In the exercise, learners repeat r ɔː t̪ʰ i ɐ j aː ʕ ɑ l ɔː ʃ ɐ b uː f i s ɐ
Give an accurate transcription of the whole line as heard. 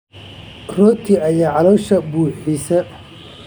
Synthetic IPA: r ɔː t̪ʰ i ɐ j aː ʕ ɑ l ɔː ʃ ɐ b uː ħ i s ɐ

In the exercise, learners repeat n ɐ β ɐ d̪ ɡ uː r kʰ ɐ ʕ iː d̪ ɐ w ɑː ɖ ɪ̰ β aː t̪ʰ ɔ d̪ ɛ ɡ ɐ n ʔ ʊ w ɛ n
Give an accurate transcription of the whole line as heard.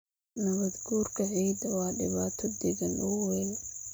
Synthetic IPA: n ɐ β ɐ d̪ ɡ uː r kʰ ɐ ʕ iː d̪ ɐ w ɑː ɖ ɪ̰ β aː t̪ʰ ɔ d̪ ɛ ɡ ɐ n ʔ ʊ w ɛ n

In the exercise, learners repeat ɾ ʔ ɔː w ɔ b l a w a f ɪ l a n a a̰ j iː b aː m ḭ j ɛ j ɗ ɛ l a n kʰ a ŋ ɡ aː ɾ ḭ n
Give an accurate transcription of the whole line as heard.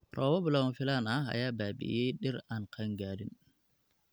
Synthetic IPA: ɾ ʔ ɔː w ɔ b l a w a f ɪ l a n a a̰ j aː b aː b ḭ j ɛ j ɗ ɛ ɾ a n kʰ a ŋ ɡ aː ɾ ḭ n

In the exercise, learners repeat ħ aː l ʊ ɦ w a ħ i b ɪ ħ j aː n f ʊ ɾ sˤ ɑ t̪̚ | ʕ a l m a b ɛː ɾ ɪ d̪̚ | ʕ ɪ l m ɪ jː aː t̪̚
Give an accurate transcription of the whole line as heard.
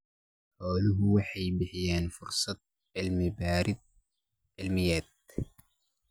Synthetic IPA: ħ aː l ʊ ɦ w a ħ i b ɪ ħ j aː n f ʊ ɾ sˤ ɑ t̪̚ | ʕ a l m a b aː ɾ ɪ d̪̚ | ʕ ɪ l m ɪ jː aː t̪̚

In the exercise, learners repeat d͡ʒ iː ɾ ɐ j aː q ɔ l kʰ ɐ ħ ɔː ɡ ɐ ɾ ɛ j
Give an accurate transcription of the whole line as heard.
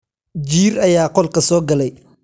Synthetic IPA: d͡ʒ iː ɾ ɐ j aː q ɔ l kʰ ɐ s ɔː ɡ ɐ l ɛ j

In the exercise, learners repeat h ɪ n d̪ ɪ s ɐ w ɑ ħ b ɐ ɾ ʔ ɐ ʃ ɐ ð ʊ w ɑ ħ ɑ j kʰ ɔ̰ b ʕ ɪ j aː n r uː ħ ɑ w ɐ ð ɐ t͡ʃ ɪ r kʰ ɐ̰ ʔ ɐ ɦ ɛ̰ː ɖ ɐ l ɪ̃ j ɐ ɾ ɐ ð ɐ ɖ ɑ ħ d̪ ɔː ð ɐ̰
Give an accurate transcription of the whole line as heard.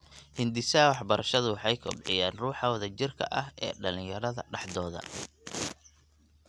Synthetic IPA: h ɪ n d̪ ɪ s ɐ w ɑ ħ b ɐ ɾ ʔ ɐ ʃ ɐ ð ʊ w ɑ ħ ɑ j kʰ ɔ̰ b ʕ ɪ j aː n r uː ħ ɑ w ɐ ð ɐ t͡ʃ ɪ r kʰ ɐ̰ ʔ ɐ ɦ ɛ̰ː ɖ ɐ l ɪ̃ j ɐ ɾ ɐ ð ɐ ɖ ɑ ħ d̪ ɔː ð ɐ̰

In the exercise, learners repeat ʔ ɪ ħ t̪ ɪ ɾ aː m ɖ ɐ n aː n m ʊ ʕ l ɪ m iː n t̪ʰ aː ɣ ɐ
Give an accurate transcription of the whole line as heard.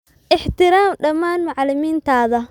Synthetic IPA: ʔ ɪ ħ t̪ ɪ ɾ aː m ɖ ɐ m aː n m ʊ ʕ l ɪ m iː n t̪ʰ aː ð ɐ

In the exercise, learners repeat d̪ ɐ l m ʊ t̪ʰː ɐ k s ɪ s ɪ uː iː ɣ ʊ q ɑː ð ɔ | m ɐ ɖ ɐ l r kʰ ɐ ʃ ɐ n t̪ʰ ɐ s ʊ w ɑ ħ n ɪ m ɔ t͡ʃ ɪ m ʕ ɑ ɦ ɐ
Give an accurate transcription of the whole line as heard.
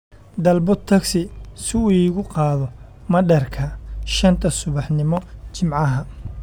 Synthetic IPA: d̪ ɐ l b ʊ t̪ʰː ɐ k s ɪ s ɪ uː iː ɣ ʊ q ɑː ð ɔ | m ɐ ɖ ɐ r kʰ ɐ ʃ ɐ n t̪ʰ ɐ s ʊ β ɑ ħ n ɪ m ɔ t͡ʃ ɪ m ʕ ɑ ɦ ɐ

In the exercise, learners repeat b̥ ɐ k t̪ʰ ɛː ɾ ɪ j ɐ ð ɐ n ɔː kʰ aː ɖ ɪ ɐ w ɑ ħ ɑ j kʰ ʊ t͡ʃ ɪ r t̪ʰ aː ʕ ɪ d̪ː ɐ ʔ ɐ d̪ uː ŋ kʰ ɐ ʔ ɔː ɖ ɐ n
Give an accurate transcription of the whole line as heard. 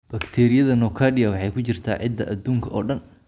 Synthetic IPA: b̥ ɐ k t̪ʰ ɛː ɾ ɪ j ɐ ð ɐ n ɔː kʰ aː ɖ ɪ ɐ w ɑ ħ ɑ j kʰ ʊ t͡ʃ ɪ r t̪ʰ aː ʕ ɪ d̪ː ɐ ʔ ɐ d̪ uː ŋ kʰ ɐ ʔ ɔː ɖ ɐ n

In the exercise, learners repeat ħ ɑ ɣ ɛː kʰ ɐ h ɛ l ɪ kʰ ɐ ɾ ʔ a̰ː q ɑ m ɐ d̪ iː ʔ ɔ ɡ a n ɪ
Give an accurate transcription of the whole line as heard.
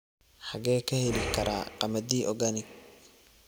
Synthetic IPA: ħ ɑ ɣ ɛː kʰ ɐ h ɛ l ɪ kʰ ɐ ɾ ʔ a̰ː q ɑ m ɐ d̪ iː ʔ ɔ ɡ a n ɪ

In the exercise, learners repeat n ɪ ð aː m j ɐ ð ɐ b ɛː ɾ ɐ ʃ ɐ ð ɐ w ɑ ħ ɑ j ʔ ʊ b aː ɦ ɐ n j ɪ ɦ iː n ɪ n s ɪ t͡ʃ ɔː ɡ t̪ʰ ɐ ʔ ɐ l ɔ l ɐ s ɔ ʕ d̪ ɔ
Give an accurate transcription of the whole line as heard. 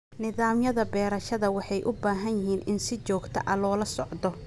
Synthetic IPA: n ɪ ð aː m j ɐ ð ɐ b ɛː ɾ ɐ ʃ ɐ ð ɐ w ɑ ħ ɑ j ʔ ʊ b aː ɦ ɐ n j ɪ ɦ iː n ɪ n s ɪ t͡ʃ ɔː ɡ t̪ʰ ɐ ʔ ɐ l ɔː l ɐ s ɔ ʕ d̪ ɔ

